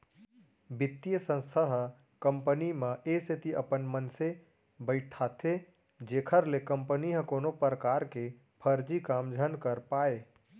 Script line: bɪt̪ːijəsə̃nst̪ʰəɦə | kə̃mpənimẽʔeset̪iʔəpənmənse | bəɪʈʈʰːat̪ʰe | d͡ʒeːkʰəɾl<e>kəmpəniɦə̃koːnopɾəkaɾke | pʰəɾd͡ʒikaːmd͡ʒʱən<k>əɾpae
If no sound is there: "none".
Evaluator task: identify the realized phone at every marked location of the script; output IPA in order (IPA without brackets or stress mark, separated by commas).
e, k